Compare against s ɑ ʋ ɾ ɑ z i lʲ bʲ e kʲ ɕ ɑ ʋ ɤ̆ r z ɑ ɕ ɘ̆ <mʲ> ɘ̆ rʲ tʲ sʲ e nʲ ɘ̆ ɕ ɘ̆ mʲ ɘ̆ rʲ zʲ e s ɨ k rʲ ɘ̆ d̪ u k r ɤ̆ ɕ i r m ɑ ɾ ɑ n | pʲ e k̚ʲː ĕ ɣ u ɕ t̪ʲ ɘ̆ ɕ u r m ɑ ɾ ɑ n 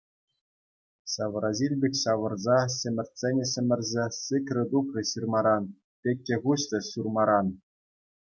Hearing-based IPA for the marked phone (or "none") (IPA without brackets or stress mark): mʲ